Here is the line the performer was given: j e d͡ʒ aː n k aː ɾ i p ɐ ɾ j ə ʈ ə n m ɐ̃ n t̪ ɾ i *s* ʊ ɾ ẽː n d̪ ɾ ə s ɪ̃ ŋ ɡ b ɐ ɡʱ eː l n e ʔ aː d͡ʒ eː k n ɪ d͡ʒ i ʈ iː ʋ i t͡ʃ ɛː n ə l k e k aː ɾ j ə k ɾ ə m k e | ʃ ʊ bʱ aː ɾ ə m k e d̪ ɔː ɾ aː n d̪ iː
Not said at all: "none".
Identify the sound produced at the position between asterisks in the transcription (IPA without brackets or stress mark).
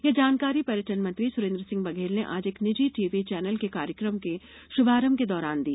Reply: s